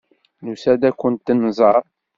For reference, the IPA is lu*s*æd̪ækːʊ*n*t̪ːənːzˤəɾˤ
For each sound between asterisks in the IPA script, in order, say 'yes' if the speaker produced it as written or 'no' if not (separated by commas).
yes, yes